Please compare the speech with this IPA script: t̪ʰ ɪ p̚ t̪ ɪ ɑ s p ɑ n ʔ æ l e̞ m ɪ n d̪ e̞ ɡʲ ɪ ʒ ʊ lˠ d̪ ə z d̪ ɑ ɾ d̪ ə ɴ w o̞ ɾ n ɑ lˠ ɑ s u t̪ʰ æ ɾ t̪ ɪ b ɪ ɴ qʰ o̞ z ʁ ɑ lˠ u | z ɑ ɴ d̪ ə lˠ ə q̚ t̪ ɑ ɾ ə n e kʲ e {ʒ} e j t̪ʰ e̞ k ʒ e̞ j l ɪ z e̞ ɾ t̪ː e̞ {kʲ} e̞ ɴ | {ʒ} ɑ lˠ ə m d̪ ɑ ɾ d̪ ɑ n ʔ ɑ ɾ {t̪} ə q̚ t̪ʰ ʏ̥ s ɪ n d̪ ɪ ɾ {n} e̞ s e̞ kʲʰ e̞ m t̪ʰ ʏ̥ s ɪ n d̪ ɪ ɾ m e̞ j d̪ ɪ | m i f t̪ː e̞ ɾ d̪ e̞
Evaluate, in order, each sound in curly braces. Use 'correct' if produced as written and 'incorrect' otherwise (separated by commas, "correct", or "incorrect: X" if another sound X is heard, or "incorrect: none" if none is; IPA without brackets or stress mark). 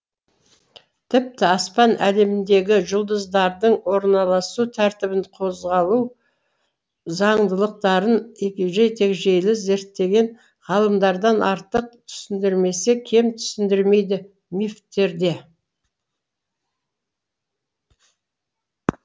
correct, incorrect: ɡʲ, incorrect: ʁ, correct, incorrect: m